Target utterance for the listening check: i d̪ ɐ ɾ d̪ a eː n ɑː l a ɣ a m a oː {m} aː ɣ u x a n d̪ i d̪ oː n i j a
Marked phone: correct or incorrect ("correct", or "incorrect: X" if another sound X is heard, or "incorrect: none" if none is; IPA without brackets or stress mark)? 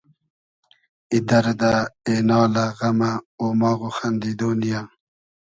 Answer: correct